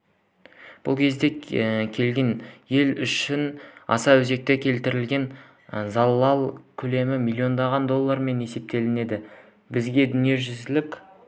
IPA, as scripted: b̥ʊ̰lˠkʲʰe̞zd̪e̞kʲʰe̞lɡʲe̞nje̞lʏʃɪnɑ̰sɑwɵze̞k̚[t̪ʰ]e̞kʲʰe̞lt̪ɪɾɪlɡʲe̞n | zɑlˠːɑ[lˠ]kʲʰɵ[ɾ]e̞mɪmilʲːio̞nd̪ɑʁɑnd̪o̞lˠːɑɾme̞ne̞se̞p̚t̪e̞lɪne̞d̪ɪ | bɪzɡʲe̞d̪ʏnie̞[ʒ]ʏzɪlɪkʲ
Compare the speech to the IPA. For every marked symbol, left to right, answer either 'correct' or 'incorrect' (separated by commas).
incorrect, correct, incorrect, correct